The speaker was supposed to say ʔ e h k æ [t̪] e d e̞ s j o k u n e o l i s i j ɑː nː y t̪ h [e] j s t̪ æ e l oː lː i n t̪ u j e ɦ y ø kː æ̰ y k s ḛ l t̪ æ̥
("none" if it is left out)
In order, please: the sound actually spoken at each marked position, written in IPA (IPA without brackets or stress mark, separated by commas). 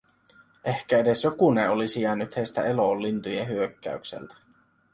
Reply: none, e